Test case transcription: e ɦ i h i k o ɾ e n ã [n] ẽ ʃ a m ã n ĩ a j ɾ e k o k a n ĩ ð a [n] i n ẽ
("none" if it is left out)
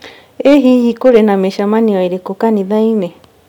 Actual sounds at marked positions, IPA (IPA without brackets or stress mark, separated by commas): m, none